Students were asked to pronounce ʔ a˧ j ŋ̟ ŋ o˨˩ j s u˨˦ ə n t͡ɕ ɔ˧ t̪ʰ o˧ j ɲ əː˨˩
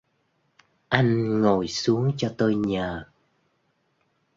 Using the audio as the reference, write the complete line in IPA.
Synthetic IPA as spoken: ʔ a˧ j ŋ̟ ŋ o˨˩ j s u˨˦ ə ŋ t͡ɕ ɔ˧ t̪ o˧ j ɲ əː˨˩